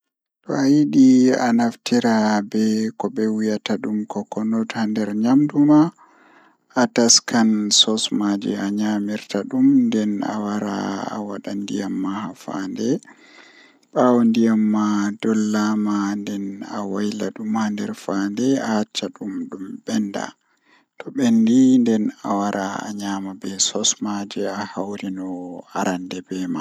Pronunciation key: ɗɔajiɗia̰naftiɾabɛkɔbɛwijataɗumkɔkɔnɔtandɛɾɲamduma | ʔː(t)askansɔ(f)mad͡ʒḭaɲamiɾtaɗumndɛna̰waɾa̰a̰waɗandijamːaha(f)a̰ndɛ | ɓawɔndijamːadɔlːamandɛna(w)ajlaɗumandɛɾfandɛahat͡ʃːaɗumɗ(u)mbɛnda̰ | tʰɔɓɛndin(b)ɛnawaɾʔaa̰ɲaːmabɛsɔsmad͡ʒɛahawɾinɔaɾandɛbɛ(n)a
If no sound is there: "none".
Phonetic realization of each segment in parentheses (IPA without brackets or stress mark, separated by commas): t, s, f, w, u, d, m